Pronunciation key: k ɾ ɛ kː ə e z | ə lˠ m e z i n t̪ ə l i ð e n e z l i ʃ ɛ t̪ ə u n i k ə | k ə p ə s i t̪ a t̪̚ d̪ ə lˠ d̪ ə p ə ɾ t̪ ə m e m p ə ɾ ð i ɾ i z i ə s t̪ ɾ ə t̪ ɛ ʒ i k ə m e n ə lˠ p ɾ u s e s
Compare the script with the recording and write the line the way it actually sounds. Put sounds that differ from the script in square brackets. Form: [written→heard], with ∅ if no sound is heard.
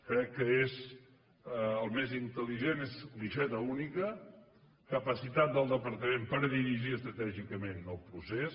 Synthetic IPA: k ɾ ɛ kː ə e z | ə lˠ m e z i n t̪ ə l i [ð→ʒ] e n e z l i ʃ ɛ t̪ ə u n i k ə | k ə p ə s i t̪ a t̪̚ d̪ ə lˠ d̪ ə p ə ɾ t̪ ə m e m p ə ɾ ð i ɾ i [z→ʒ] i ə s t̪ ɾ ə t̪ ɛ ʒ i k ə m e n ə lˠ p ɾ u s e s